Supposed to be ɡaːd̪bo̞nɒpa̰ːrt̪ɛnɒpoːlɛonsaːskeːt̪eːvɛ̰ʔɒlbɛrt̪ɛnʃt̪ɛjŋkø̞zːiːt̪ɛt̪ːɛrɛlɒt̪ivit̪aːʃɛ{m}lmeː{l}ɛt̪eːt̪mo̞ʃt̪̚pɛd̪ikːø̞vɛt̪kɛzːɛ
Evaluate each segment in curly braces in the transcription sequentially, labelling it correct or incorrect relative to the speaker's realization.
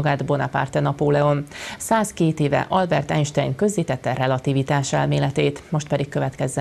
incorrect: none, correct

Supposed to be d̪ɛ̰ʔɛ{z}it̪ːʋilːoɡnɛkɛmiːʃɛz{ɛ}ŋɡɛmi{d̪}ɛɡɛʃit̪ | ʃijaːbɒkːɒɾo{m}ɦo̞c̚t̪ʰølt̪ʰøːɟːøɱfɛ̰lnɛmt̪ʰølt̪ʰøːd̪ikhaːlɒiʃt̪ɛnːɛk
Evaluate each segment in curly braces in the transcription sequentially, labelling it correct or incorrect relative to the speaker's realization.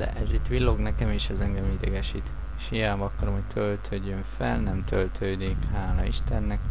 correct, correct, correct, correct

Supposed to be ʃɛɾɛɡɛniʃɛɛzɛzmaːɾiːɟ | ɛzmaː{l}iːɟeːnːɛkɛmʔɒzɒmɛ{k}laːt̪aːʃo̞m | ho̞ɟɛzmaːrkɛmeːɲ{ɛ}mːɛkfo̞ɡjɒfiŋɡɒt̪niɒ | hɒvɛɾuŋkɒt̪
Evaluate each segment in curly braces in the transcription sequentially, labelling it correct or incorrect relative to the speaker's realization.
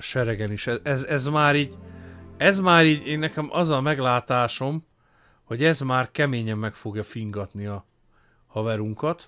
incorrect: ɾ, incorrect: ɡ, correct

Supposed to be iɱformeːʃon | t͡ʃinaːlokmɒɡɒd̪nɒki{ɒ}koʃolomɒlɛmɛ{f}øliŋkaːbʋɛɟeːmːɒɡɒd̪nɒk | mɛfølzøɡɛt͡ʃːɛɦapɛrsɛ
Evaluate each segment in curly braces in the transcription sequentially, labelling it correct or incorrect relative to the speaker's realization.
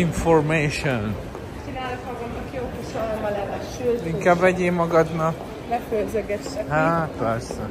incorrect: o, incorrect: ʃ

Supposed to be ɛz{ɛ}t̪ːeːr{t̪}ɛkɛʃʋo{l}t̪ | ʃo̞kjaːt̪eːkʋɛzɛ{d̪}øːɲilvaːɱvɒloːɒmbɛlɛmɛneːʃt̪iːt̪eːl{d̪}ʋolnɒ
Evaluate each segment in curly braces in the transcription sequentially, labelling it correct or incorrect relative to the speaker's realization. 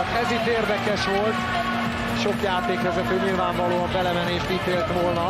incorrect: i, incorrect: d̪, correct, incorrect: t̪, incorrect: t̪

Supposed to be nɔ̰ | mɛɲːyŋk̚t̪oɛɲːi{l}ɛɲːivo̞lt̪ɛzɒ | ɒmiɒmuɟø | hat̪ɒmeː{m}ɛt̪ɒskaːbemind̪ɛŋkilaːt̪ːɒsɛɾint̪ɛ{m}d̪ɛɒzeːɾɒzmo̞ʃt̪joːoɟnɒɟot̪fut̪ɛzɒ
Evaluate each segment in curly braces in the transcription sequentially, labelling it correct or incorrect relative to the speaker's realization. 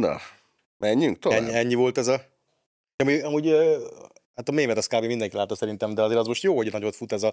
incorrect: none, correct, correct

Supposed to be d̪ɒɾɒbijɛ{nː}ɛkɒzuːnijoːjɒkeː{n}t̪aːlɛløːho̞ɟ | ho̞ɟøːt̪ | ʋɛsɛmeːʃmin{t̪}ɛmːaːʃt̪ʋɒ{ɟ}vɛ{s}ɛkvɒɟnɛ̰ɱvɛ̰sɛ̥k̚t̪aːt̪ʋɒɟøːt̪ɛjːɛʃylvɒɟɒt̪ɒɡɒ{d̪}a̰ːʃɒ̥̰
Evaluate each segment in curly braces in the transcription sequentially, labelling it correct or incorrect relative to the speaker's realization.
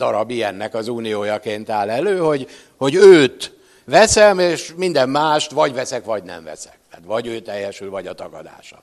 correct, correct, incorrect: d̪, correct, correct, correct

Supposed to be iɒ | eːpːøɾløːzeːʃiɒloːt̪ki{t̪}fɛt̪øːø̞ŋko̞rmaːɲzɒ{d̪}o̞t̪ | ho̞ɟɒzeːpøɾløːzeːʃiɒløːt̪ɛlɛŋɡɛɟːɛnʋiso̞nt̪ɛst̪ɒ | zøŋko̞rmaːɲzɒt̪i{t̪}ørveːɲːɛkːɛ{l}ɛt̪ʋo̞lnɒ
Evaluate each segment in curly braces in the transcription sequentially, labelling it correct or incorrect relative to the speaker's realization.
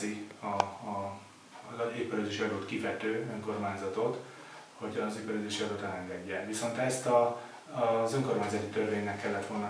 incorrect: none, incorrect: t̪, correct, incorrect: lː

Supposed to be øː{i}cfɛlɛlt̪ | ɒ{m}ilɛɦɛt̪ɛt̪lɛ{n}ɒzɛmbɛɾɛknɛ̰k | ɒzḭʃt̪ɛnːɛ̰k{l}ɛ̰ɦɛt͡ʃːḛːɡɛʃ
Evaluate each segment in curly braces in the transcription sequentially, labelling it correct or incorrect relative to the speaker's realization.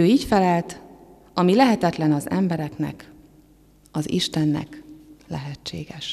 incorrect: iː, correct, correct, correct

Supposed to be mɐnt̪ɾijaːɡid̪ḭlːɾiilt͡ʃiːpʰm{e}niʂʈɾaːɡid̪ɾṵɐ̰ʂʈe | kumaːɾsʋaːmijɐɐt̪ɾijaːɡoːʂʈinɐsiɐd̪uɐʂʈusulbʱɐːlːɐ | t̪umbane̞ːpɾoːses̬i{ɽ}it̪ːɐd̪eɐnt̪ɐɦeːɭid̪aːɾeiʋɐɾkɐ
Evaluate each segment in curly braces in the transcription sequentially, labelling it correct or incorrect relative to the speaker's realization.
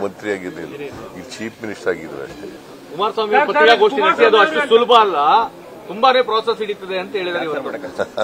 incorrect: i, correct

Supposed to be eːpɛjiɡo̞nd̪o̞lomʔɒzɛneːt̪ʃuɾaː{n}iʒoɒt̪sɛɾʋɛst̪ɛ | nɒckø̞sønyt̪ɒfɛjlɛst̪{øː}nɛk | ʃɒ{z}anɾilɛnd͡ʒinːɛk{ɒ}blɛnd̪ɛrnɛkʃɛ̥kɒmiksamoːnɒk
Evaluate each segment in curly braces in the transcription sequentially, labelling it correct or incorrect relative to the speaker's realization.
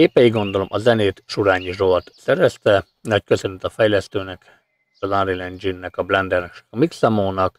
incorrect: ɲ, correct, correct, correct

